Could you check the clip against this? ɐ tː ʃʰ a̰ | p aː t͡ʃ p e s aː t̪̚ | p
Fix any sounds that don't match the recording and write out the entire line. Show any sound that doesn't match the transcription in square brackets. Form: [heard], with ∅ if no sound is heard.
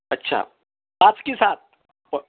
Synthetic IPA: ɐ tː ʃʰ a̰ | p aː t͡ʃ [k] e s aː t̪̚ | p